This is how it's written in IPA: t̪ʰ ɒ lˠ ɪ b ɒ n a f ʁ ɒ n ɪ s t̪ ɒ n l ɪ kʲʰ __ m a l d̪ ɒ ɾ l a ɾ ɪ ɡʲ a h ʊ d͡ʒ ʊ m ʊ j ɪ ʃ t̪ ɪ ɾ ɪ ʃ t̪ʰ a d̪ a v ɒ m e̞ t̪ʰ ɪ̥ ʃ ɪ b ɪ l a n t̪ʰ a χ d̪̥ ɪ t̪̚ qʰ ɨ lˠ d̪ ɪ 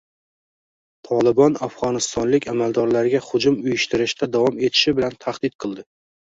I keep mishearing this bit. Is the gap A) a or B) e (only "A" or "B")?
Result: A